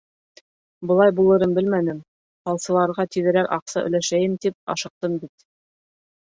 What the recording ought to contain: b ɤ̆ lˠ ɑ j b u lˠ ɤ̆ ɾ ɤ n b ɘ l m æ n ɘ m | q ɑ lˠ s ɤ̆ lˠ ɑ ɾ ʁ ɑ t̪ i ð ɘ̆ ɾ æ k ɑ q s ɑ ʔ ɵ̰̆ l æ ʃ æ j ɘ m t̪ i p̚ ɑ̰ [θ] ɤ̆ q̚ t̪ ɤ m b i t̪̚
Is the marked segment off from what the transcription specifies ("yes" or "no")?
yes